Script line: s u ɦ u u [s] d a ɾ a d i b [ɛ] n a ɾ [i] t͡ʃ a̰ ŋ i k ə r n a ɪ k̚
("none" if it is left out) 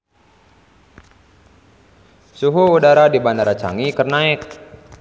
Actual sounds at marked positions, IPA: none, a, a

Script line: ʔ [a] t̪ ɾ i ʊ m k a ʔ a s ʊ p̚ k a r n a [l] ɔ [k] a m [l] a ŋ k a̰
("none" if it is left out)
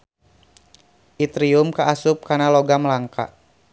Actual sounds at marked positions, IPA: i, l, ɡ, l

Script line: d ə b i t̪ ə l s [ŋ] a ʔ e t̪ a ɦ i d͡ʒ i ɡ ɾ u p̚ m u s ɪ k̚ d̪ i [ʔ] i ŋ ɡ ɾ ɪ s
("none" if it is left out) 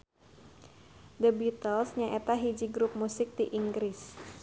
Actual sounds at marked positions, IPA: ɲ, ʔ

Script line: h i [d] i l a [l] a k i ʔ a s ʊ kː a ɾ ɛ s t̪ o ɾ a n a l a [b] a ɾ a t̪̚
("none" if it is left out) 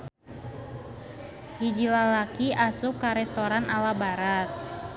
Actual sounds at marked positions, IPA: d͡ʒ, l, b

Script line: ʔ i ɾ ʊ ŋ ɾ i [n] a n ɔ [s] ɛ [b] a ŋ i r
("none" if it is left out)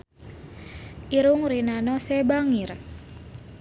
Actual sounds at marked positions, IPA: n, s, b

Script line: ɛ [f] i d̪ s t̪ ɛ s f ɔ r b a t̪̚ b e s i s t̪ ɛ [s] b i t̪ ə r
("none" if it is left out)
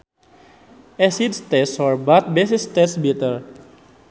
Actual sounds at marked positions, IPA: s, s

